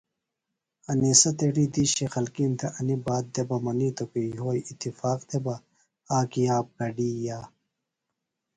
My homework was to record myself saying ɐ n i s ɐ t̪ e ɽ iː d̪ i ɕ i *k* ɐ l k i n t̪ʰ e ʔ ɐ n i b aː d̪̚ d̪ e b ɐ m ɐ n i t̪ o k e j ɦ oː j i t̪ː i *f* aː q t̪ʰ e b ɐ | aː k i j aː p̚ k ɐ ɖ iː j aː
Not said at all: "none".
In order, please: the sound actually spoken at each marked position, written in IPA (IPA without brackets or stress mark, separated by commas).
x, f